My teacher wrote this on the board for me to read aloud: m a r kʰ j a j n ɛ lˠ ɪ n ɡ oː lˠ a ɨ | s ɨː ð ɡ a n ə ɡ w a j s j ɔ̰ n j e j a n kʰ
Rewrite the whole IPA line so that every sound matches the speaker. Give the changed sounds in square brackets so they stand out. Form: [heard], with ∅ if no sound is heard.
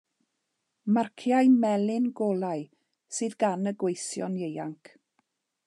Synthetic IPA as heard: m a r kʰ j a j [m] ɛ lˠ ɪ n ɡ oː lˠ a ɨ | s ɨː ð ɡ a n ə ɡ w [e] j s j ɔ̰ n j e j a [ŋ] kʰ